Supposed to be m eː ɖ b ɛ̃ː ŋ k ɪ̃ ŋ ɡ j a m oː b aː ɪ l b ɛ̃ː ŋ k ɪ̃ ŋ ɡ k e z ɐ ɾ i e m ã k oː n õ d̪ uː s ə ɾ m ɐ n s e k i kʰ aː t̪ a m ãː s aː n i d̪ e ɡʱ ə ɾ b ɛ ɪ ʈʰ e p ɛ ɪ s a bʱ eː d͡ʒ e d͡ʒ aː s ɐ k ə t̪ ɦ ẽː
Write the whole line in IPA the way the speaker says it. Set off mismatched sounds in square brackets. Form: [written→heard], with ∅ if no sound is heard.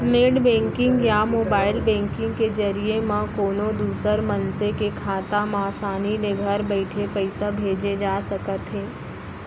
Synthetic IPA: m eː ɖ b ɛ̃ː ŋ k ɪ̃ ŋ ɡ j a m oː b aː ɪ l b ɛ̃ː ŋ k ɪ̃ ŋ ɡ k e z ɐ ɾ i e m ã k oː n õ d̪ uː s ə ɾ m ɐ n s e k [i→e] kʰ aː t̪ a m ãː s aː n i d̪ e ɡʱ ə ɾ b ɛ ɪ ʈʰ e p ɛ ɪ s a bʱ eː d͡ʒ e d͡ʒ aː s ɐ k ə t̪ ɦ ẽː

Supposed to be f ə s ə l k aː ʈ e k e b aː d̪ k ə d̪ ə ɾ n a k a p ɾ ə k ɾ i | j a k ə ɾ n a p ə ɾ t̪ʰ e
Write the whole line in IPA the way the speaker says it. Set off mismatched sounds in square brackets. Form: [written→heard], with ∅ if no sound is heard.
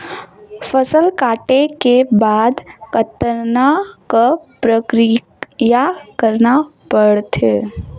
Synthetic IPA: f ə s ə l k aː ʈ e k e b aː d̪ k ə [d̪→t̪] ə ɾ n a k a p ɾ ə k ɾ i | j a k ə ɾ n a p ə [ɾ→ɽ] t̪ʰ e

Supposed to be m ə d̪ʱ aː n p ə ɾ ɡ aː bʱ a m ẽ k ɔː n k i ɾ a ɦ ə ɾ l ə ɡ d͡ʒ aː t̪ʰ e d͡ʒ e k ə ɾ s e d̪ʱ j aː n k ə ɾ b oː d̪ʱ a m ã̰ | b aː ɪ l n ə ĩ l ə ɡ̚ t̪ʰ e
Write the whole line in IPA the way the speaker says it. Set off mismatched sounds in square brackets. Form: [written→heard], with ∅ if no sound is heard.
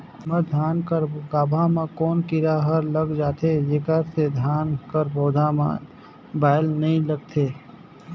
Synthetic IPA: m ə d̪ʱ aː n [p→k] ə ɾ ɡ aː bʱ a m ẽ k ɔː n k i ɾ a ɦ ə ɾ l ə ɡ d͡ʒ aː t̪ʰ e d͡ʒ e k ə ɾ s e d̪ʱ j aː n k ə ɾ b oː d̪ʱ a m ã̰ | b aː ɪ l n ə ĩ l ə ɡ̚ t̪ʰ e

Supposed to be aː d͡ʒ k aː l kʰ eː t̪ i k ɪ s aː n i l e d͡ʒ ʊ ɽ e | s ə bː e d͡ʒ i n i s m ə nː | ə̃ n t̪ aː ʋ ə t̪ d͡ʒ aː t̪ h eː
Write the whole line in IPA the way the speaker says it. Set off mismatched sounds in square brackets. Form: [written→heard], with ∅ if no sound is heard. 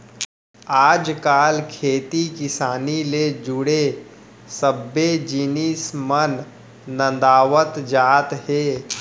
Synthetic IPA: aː d͡ʒ k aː l kʰ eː t̪ i k ɪ s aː n i l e d͡ʒ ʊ ɽ e | s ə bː e d͡ʒ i n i s m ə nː | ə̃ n [t̪→d̪] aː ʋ ə t̪ d͡ʒ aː t̪ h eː

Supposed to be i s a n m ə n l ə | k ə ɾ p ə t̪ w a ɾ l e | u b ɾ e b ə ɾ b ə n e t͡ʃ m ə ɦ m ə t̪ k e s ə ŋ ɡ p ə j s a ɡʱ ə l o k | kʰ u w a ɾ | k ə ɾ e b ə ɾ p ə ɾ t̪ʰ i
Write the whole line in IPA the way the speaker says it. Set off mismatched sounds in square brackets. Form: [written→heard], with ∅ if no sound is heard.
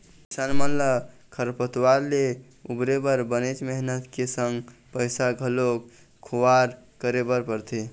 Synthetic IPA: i s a n m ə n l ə | [k→kʰ] ə ɾ p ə t̪ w a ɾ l e | u b ɾ e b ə ɾ b ə n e t͡ʃ m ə ɦ [m→n] ə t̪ k e s ə ŋ ɡ p ə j s a ɡʱ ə l o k | kʰ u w a ɾ | k ə ɾ e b ə ɾ p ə ɾ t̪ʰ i

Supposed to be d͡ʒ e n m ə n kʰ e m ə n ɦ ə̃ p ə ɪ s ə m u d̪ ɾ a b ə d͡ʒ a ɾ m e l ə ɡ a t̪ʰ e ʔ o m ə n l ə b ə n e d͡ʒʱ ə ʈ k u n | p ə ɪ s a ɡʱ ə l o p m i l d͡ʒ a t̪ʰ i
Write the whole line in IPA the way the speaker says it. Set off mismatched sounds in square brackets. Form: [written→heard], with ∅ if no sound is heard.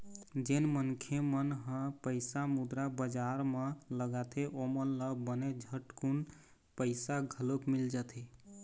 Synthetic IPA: d͡ʒ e n m ə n kʰ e m ə n ɦ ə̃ p ə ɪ s [ə→a] m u d̪ ɾ a b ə d͡ʒ a ɾ m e l ə ɡ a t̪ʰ e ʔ o m ə n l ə b ə n e d͡ʒʱ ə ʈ k u n | p ə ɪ s a ɡʱ ə l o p m i l d͡ʒ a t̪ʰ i

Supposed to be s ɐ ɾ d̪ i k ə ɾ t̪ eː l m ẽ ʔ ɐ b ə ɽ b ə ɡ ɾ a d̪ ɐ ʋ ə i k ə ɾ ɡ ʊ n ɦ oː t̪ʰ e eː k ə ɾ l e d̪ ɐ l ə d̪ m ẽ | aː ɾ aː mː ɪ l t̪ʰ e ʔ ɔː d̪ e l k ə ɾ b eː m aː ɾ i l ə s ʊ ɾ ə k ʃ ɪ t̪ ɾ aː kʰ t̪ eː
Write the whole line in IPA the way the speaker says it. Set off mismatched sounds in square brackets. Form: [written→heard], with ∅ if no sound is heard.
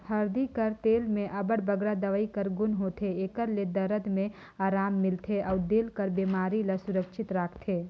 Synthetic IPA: [s→h] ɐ ɾ d̪ i k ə ɾ t̪ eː l m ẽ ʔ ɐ b ə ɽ b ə ɡ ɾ a d̪ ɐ ʋ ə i k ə ɾ ɡ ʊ n ɦ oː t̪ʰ e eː k ə ɾ l e d̪ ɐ [l→ɾ] ə d̪ m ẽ | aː ɾ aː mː ɪ l t̪ʰ e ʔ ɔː d̪ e l k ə ɾ b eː m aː ɾ i l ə s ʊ ɾ ə k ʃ ɪ t̪ ɾ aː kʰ [t̪→t̪ʰ] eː

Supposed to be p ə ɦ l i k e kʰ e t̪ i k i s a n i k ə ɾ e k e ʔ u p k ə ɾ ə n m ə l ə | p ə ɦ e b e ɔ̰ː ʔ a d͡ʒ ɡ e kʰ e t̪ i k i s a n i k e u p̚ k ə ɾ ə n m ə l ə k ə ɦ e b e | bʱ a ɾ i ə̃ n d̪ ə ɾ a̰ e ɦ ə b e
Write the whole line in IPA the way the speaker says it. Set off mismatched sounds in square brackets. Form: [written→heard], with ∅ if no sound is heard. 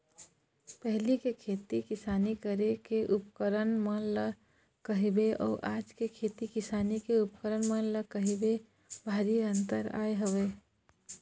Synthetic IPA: p ə ɦ l i k e kʰ e t̪ i k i s a n i k ə ɾ e k e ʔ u p k ə ɾ ə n m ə l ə | [p→k] ə ɦ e b e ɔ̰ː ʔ a d͡ʒ [ɡ→k] e kʰ e t̪ i k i s a n i k e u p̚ k ə ɾ ə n m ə l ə k ə ɦ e b e | bʱ a ɾ i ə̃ n [d̪→t̪] ə ɾ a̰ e ɦ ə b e

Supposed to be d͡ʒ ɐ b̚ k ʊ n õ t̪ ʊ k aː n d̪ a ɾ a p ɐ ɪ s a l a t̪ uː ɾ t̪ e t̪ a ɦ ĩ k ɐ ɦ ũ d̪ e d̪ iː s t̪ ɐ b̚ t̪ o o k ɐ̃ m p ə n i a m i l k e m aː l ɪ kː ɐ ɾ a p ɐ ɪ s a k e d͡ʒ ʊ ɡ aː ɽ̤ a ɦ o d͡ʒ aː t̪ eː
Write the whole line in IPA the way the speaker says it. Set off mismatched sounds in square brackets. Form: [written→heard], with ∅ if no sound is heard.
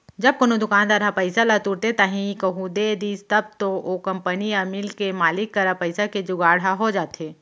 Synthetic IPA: d͡ʒ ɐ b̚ k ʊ n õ [t̪→d̪] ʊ k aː n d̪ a ɾ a p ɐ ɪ s a l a t̪ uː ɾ t̪ e t̪ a ɦ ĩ k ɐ ɦ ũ d̪ e d̪ iː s t̪ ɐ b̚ t̪ o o k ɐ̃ m p ə n i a m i l k e m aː l ɪ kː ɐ ɾ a p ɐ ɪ s a k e d͡ʒ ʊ ɡ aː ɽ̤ a ɦ o d͡ʒ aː t̪ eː

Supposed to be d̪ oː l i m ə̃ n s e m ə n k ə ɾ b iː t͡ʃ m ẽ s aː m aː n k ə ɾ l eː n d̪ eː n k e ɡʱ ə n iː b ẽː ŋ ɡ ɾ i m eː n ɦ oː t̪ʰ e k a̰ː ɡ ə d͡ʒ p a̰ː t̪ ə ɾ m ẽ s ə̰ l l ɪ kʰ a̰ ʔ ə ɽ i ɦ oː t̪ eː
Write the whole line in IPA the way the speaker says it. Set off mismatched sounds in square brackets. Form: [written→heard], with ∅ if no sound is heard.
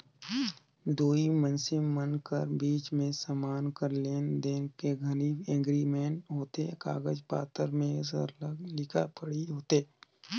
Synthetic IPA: d̪ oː [l→∅] i m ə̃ n s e m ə n k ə ɾ b iː t͡ʃ m ẽ s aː m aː n k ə ɾ l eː n d̪ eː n k e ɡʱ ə n iː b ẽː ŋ ɡ ɾ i m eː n ɦ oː [t̪ʰ→t̪] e k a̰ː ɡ ə d͡ʒ p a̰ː t̪ ə ɾ m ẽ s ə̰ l l ɪ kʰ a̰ [ʔ→p] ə ɽ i ɦ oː t̪ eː

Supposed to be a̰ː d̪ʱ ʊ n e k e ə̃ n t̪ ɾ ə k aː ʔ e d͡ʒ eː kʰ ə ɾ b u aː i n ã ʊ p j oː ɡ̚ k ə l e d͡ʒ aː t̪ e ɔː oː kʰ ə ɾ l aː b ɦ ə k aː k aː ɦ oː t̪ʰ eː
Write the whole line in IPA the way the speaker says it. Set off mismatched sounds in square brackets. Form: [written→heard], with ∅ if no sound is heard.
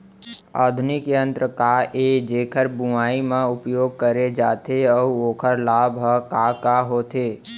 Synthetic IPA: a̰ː d̪ʱ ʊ n [e→i] k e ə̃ n t̪ ɾ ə k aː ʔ e d͡ʒ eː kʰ ə ɾ b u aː i [n→m] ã ʊ p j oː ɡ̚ k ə [l→ɾ] e d͡ʒ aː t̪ e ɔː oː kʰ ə ɾ l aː b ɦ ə k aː k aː ɦ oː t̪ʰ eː

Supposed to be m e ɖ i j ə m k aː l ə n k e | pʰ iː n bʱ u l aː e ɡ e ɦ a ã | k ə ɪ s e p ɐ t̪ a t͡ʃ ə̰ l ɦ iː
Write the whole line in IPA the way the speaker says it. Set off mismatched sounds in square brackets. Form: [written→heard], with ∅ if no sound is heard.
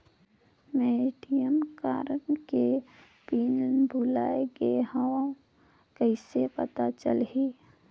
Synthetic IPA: m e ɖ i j ə m k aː [l→ɾ] ə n k e | [pʰ→p] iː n bʱ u l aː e ɡ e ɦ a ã | k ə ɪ s e p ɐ t̪ a t͡ʃ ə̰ l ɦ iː

